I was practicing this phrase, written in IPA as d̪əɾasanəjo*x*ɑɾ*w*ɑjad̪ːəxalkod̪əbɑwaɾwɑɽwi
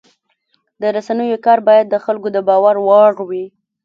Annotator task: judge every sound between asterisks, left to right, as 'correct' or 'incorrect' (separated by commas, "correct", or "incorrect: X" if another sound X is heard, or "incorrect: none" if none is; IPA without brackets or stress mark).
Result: incorrect: k, incorrect: b